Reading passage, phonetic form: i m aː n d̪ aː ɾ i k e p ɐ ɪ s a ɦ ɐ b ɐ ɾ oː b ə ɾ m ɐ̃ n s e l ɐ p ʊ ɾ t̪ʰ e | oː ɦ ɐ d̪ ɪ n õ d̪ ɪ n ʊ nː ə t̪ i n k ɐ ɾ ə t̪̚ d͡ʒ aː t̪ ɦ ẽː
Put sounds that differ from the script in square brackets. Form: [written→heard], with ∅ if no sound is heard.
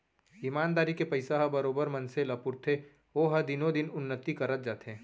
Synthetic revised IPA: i m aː n d̪ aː ɾ i k e p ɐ ɪ s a ɦ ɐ b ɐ ɾ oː b ə ɾ m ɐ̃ n s e l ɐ p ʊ ɾ t̪ʰ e | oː ɦ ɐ d̪ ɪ n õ d̪ ɪ n ʊ nː ə t̪ i [n→∅] k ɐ ɾ ə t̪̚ d͡ʒ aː t̪ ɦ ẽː

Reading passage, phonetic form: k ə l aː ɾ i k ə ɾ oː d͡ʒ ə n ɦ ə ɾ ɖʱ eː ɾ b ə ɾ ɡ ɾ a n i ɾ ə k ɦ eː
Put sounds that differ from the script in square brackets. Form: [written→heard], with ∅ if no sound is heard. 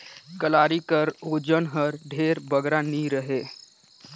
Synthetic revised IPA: k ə l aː ɾ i k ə ɾ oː d͡ʒ ə n ɦ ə ɾ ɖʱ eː ɾ b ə [ɾ→∅] ɡ ɾ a n i ɾ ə [k→∅] ɦ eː

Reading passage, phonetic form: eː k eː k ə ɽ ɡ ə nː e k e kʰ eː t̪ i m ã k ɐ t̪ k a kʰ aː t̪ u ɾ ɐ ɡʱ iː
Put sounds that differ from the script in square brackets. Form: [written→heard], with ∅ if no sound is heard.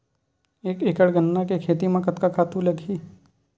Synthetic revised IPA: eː k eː k ə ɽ ɡ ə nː [e→a] k e kʰ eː t̪ i m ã k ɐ t̪ k a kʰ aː t̪ u [ɾ→l] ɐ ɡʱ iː

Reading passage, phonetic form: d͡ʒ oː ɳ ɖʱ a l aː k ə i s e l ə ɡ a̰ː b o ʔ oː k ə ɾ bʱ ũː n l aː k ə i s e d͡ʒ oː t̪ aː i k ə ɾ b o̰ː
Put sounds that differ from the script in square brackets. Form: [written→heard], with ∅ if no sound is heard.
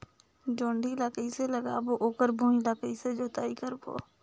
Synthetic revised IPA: d͡ʒ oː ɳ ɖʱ [a→i] l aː k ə i s e l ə ɡ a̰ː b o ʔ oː k ə ɾ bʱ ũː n l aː k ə i s e d͡ʒ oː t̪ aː i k ə ɾ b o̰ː

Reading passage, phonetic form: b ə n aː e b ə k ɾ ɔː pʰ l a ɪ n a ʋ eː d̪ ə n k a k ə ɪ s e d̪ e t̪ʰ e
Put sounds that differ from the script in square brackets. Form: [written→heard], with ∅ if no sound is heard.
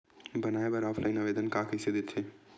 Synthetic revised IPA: b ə n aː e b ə [k→∅] ɾ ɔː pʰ l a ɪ n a ʋ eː d̪ ə n k a k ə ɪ s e d̪ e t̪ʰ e

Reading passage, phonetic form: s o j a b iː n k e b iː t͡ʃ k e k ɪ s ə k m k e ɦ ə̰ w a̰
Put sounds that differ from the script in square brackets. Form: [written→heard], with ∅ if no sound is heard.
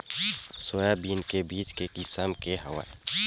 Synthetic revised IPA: s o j a b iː n k e b iː t͡ʃ k e k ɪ s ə [k→∅] m k e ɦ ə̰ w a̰

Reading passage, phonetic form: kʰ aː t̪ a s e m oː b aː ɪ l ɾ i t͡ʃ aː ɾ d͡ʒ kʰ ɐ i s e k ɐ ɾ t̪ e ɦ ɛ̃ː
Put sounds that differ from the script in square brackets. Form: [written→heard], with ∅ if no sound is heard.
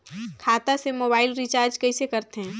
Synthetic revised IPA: kʰ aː t̪ a s e m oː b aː ɪ l ɾ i t͡ʃ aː ɾ d͡ʒ [kʰ→k] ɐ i s e k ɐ ɾ t̪ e ɦ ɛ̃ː

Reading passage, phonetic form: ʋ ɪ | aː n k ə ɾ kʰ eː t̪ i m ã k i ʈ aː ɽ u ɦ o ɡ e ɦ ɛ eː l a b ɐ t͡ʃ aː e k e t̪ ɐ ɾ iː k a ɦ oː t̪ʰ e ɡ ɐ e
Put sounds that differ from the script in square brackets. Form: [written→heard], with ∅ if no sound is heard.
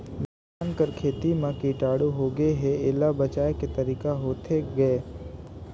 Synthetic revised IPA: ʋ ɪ | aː n k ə ɾ kʰ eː t̪ i m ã k i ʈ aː ɽ u ɦ o ɡ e ɦ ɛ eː l a b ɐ t͡ʃ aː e k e t̪ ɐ ɾ iː k a ɦ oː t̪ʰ e ɡ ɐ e

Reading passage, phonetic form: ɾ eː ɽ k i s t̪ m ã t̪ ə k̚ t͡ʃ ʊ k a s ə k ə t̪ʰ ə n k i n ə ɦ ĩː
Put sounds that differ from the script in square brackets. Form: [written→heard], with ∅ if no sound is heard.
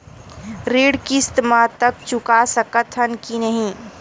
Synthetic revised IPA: ɾ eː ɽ k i s t̪ m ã t̪ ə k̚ t͡ʃ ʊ k a s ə k ə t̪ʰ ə n k i n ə ɦ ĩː

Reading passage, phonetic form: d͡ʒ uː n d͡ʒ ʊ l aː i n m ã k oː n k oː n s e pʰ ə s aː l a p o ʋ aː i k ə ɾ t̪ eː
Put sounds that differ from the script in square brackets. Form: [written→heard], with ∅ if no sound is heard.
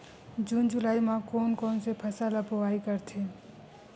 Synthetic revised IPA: d͡ʒ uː n d͡ʒ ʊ l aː i [n→∅] m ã k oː n k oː n s e pʰ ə s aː l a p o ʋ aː i k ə ɾ [t̪→t̪ʰ] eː

